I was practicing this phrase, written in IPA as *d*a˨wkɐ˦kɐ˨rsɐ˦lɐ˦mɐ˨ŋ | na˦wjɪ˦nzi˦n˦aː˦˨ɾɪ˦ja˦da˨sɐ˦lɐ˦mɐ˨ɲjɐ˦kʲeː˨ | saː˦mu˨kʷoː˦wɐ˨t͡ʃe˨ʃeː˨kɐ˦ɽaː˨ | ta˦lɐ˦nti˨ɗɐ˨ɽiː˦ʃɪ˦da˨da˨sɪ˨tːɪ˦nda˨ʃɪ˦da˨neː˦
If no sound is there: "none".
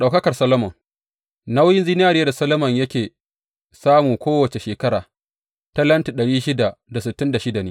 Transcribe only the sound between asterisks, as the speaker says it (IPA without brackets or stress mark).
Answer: ɗ